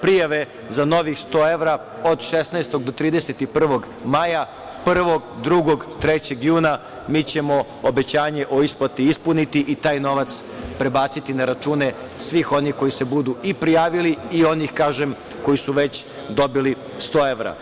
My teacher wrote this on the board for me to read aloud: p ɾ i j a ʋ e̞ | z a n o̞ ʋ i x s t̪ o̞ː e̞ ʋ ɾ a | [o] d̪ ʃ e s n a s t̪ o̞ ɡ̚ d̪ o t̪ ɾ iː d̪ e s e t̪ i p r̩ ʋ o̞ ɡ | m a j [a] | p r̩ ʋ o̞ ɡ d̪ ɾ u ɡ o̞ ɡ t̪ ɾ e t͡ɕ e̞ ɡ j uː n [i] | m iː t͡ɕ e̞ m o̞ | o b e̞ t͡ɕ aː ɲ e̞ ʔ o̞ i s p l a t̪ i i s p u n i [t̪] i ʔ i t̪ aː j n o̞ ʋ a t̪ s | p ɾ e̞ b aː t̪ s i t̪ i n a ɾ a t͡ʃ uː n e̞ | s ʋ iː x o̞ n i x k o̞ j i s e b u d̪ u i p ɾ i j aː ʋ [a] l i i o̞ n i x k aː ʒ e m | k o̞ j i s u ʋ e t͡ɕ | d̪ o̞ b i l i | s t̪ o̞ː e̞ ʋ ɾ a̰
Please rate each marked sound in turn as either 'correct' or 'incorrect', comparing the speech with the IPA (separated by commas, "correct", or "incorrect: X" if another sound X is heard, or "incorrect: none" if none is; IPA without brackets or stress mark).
correct, correct, incorrect: a, correct, incorrect: i